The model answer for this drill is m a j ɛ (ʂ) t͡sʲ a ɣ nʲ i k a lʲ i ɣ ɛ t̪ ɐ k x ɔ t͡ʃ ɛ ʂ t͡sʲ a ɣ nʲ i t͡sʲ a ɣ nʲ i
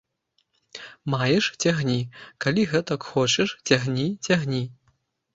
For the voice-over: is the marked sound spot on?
yes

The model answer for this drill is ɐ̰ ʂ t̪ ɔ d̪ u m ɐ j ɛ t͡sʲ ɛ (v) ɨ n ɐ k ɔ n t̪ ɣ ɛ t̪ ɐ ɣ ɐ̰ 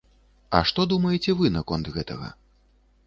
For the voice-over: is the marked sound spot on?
yes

